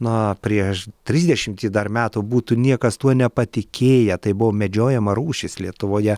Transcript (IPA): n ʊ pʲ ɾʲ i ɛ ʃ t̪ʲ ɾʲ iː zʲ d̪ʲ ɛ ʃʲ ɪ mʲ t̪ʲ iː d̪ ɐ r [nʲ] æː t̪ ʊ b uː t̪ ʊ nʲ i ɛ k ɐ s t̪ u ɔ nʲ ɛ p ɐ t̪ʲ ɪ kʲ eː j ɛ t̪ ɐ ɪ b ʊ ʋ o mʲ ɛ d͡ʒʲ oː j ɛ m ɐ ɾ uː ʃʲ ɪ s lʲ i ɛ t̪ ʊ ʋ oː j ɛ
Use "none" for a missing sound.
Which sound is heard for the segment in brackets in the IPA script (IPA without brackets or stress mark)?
mʲ